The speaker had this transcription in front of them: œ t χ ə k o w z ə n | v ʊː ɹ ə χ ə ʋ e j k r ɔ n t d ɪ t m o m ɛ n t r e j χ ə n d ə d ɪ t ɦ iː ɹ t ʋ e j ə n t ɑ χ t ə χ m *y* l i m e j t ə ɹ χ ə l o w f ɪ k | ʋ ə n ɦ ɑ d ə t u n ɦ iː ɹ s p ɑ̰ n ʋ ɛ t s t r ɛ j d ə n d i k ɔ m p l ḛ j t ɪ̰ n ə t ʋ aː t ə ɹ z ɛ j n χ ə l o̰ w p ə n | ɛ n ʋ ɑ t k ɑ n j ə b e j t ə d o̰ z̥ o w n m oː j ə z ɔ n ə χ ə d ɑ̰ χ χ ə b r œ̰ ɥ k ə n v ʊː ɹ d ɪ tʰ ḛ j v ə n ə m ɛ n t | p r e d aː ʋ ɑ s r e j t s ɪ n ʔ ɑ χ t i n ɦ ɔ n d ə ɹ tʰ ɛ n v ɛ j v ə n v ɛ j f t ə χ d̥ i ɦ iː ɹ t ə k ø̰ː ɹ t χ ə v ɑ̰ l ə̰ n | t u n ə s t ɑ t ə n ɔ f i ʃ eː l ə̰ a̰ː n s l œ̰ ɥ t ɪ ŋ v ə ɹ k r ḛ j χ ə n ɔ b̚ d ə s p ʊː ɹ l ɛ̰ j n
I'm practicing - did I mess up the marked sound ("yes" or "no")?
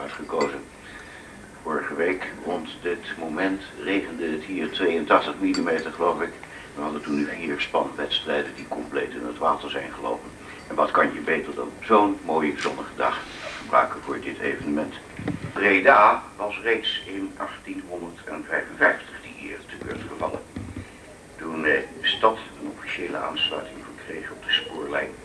yes